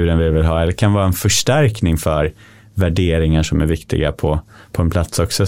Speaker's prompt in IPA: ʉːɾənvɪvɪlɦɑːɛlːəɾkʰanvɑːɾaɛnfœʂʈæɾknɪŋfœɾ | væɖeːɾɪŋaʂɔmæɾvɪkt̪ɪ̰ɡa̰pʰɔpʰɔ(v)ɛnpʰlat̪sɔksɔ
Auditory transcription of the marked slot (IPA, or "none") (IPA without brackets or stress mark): none